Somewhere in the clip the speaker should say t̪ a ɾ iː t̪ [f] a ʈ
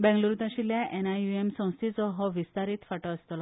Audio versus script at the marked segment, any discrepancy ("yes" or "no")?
no